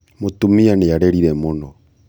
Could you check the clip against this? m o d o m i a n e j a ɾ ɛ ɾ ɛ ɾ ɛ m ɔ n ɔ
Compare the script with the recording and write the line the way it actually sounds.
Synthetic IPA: m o t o m i a n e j a ɾ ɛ ɾ i ɾ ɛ m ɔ n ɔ